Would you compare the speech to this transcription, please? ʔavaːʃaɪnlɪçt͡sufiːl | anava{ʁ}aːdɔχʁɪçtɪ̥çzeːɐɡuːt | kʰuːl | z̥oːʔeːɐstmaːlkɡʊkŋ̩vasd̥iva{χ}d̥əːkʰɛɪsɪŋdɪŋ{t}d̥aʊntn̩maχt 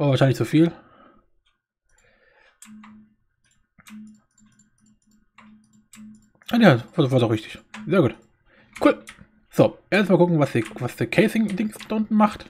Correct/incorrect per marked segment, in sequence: incorrect: v, incorrect: s, incorrect: s

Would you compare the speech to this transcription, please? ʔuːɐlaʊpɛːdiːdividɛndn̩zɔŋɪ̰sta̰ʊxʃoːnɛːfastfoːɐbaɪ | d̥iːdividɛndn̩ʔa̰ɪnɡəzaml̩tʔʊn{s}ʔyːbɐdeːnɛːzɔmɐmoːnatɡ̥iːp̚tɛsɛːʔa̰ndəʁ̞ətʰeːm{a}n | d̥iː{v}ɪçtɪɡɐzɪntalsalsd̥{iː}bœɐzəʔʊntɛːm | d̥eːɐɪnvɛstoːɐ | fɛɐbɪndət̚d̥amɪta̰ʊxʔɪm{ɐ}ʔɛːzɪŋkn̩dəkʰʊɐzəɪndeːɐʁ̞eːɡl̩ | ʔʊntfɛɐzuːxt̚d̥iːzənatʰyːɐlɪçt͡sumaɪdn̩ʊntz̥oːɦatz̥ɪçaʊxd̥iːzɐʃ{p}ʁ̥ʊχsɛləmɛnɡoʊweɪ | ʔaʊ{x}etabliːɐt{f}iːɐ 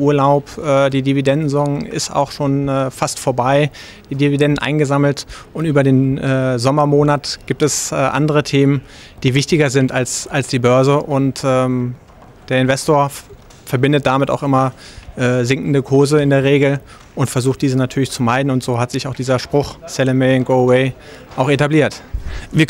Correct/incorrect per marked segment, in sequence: incorrect: t, incorrect: ə, correct, correct, correct, correct, correct, incorrect: v

